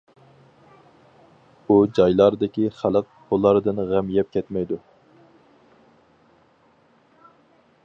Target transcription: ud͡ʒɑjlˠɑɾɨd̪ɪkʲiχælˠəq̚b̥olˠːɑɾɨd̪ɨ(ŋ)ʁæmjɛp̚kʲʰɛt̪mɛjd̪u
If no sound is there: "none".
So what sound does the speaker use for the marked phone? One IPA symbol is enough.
n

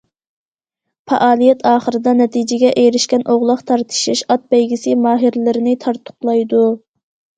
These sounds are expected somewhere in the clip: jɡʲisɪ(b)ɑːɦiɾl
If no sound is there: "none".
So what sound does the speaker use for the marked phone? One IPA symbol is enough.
m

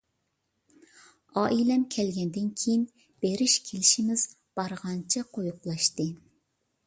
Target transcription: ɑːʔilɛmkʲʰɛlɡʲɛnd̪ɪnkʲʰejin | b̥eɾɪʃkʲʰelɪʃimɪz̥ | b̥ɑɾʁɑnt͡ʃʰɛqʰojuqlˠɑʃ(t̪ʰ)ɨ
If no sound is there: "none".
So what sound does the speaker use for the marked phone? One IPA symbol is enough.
t̪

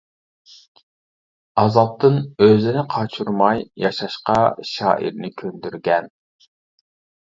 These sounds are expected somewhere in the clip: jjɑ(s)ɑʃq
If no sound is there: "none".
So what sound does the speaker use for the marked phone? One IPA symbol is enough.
ʃ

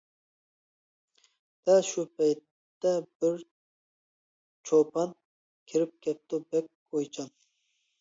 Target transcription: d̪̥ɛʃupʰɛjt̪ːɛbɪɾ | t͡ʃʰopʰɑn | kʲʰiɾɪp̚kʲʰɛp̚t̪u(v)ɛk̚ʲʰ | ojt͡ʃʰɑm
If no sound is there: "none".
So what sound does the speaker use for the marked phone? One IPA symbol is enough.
b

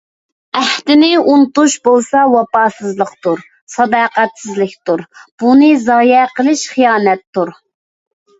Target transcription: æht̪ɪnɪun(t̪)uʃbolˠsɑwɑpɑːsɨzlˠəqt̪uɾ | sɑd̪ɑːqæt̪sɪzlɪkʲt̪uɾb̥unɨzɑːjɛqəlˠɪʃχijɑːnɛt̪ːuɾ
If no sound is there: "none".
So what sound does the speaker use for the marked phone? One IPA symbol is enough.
t̪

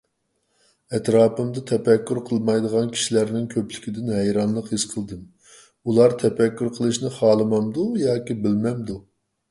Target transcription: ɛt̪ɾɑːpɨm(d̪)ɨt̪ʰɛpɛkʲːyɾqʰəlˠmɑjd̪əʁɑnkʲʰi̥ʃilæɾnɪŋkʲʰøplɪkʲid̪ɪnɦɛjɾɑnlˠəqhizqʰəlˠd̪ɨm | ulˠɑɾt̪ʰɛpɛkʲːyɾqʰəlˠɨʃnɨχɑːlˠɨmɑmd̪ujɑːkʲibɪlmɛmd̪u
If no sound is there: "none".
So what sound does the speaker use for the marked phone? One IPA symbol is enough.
d̪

